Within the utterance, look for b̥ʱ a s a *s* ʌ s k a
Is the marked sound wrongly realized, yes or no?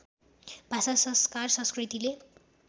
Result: no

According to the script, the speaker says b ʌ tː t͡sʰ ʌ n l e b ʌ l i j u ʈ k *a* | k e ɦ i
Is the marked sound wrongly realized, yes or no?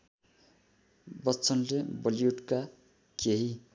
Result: no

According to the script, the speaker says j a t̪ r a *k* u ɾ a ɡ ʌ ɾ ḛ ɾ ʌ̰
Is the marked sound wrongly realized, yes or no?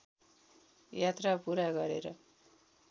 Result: yes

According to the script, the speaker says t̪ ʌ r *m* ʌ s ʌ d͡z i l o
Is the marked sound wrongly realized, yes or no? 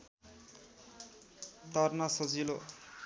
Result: yes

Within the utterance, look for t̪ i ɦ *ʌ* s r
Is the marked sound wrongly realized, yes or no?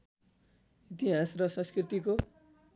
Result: yes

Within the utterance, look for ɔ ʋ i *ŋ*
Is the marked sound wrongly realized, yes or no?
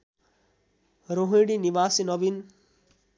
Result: yes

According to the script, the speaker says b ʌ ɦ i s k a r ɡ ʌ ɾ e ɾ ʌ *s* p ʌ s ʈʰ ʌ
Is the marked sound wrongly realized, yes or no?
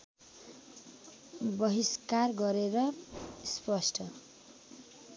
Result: no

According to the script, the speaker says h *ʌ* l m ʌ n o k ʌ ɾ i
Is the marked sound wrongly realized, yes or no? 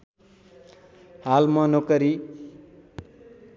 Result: yes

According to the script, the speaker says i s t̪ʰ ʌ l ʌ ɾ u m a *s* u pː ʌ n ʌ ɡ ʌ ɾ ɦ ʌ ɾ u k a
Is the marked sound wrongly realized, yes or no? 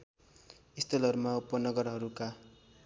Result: yes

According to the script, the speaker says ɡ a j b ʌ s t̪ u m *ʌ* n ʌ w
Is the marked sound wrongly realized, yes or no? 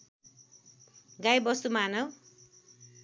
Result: yes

